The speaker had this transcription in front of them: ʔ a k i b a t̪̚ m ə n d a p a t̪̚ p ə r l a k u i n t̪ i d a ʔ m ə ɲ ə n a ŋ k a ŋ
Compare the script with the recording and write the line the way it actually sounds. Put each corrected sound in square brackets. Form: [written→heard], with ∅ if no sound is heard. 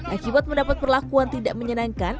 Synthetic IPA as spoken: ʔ a k i b a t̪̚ m ə n d a p a t̪̚ p ə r l a k u [i→a] n t̪ i d a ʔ m ə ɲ ə n a ŋ k a [ŋ→n]